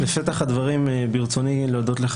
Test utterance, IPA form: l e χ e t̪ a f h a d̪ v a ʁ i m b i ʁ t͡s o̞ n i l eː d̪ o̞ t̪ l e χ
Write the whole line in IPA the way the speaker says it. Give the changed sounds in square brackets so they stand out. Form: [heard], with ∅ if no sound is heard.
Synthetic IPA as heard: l e [ʃ] e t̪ a [χ] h a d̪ v a ʁ i m b i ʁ t͡s o̞ n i l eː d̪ o̞ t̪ l e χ